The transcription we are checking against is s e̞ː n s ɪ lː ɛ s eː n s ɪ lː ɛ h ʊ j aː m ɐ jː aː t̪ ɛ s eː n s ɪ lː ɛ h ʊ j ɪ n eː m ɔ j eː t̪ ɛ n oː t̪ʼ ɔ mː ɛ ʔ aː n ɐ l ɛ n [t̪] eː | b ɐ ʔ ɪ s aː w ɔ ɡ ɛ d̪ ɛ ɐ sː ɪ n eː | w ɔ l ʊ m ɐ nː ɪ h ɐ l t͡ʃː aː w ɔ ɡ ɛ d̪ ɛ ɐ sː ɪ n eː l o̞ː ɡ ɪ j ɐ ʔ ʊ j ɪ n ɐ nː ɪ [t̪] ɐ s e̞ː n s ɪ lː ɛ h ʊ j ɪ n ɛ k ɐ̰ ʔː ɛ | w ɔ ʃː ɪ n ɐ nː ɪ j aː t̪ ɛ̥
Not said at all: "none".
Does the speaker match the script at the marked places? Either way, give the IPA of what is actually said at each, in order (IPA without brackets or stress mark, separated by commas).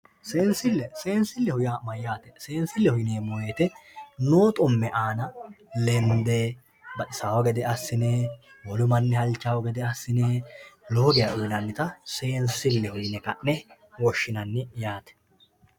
d̪, t̪